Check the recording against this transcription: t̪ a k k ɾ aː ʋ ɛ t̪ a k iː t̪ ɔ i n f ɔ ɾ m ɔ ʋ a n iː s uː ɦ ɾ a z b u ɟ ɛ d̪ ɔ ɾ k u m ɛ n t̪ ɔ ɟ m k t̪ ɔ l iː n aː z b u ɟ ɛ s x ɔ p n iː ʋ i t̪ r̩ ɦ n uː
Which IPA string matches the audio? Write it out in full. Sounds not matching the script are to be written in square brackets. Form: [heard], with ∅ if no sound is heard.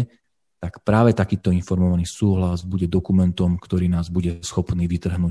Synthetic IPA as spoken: t̪ a k [p] ɾ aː ʋ ɛ t̪ a k iː t̪ ɔ i n f ɔ ɾ m ɔ ʋ a n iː s uː ɦ [l] a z b u ɟ ɛ d̪ ɔ [∅] k u m ɛ n t̪ ɔ [∅] m k t̪ ɔ [ɾ] iː n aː z b u ɟ ɛ s x ɔ p n iː ʋ i t̪ r̩ ɦ n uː